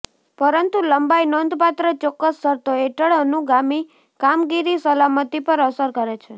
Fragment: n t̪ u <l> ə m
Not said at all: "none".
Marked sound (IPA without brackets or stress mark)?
l